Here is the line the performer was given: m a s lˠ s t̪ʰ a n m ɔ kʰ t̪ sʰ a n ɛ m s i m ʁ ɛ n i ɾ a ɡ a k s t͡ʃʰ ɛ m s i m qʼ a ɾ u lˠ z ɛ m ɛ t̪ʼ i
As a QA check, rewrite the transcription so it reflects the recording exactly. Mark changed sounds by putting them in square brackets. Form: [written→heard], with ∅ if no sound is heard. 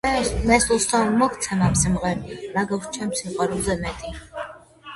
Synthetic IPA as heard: m [a→ɛ] s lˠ s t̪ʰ a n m ɔ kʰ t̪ sʰ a n [ɛ→a] m s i m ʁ ɛ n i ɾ a ɡ a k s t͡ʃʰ ɛ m s i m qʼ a ɾ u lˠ z ɛ m ɛ t̪ʼ i